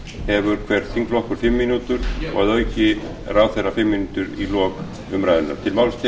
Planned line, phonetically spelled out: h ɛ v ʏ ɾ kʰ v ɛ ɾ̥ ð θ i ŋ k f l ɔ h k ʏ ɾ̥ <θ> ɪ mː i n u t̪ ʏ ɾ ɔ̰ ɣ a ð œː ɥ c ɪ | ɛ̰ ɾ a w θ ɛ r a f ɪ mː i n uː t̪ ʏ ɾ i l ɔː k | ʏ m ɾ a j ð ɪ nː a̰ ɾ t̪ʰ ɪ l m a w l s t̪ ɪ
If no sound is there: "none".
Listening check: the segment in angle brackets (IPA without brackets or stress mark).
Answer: f